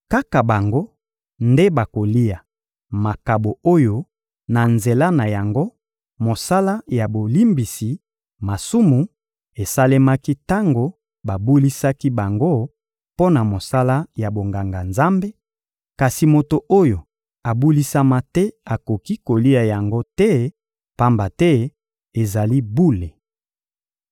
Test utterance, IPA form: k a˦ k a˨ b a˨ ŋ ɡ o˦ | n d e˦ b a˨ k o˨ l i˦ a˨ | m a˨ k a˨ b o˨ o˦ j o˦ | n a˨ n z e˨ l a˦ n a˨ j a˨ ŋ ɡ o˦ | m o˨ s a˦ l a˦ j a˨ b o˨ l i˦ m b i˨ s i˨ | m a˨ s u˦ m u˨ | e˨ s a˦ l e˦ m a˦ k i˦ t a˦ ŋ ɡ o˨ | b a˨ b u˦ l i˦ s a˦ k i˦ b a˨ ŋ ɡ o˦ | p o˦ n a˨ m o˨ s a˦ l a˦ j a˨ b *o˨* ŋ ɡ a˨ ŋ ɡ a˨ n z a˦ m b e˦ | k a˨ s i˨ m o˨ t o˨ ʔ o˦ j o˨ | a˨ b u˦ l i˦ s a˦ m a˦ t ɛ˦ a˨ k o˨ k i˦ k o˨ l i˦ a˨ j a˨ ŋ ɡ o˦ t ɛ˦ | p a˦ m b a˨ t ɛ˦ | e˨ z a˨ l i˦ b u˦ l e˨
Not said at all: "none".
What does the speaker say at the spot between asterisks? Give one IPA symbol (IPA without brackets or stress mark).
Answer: o˨